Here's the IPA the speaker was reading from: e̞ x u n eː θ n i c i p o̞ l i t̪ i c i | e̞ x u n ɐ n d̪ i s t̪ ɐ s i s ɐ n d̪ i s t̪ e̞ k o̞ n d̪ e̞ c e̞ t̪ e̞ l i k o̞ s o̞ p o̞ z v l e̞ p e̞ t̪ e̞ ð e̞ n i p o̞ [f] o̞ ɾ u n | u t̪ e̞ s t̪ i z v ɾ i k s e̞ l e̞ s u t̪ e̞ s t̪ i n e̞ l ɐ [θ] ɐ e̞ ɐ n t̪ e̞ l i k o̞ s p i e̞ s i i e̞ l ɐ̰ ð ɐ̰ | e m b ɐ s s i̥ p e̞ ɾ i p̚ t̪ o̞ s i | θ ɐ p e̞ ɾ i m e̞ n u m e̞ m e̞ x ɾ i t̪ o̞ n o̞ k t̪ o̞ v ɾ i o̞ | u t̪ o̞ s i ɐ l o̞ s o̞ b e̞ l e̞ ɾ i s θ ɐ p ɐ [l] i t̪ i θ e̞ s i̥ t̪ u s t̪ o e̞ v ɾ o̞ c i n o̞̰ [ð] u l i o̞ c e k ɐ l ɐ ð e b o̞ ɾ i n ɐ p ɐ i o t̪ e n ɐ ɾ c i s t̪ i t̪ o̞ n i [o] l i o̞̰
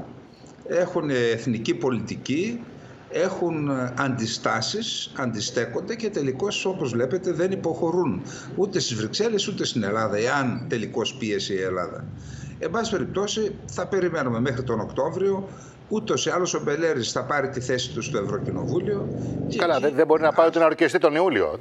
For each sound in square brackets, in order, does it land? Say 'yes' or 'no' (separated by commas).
no, no, no, no, no